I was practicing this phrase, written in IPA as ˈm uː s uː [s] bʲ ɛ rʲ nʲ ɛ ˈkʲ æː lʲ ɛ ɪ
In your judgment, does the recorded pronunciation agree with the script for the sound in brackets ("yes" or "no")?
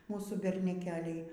no